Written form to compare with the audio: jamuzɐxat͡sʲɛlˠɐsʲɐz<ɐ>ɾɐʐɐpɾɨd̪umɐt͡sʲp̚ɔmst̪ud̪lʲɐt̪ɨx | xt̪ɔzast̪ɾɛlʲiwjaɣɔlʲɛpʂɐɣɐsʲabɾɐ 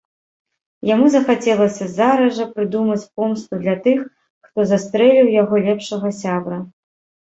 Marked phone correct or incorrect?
incorrect